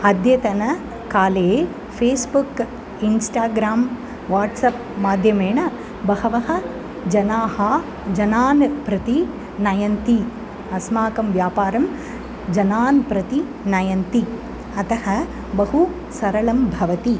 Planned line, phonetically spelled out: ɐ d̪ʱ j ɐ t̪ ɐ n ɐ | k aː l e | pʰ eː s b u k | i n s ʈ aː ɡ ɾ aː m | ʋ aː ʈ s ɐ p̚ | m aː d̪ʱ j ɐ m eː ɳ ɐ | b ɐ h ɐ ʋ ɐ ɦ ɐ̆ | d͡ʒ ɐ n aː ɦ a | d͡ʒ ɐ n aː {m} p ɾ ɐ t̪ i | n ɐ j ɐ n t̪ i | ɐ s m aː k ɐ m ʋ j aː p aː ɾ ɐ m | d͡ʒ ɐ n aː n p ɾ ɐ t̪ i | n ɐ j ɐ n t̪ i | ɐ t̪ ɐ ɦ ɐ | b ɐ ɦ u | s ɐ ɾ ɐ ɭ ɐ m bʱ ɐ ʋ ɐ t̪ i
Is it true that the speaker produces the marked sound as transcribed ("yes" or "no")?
no